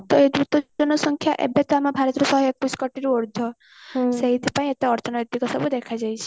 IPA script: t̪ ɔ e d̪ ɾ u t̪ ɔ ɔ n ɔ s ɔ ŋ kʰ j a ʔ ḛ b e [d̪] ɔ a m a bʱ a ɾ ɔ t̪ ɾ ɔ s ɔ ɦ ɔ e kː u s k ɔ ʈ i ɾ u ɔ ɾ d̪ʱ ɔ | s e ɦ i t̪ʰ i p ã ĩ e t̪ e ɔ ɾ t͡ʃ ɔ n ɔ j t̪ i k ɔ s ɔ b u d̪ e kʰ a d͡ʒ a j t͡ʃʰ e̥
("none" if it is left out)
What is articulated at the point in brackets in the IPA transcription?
t̪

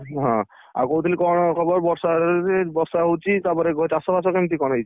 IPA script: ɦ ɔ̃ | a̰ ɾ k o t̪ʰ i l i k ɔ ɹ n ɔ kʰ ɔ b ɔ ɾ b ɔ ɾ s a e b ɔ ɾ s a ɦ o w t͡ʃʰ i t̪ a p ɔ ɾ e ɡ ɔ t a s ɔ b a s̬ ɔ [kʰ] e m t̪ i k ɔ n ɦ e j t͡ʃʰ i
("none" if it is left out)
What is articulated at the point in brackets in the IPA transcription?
k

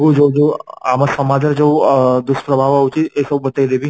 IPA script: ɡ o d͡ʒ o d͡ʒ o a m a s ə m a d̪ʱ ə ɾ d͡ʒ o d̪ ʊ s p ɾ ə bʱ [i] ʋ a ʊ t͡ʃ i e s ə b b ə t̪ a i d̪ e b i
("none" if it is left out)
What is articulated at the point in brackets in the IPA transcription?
a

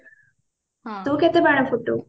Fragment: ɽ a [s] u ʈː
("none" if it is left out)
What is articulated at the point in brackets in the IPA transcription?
f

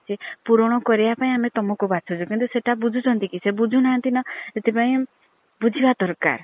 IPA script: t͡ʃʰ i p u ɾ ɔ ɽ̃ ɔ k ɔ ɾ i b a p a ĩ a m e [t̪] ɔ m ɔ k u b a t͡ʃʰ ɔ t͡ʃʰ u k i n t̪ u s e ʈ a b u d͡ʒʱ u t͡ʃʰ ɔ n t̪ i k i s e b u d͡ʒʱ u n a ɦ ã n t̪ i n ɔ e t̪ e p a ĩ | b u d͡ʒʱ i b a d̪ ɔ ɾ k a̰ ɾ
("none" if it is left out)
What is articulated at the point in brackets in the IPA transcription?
t̪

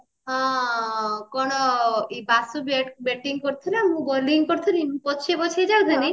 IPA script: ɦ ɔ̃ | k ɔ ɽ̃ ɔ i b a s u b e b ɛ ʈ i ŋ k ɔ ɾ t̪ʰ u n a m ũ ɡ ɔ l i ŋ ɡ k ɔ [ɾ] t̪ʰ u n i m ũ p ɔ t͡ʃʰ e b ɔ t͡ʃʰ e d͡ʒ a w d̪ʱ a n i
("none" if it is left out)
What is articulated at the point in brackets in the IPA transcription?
ɾ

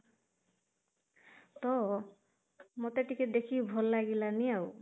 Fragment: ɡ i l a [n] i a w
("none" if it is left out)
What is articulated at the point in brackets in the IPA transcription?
n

